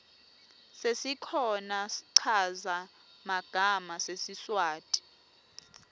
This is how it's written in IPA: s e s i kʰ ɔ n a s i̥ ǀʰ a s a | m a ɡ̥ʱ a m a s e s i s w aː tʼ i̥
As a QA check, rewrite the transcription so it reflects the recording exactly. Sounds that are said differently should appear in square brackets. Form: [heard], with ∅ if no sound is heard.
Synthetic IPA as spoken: s e s i kʰ ɔ n a s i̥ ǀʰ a [z] a | m a ɡ̥ʱ a m a s e s i s w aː tʼ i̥